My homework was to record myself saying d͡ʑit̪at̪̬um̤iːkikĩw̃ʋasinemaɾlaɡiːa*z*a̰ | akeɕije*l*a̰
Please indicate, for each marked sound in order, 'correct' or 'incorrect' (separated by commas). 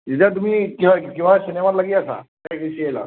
incorrect, correct